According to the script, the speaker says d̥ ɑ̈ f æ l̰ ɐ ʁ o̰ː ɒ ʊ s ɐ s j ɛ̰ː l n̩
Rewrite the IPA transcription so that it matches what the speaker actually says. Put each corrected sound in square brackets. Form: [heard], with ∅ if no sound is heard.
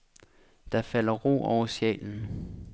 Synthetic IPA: d̥ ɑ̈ f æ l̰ ɐ ʁ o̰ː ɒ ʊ [∅] ɐ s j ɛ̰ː l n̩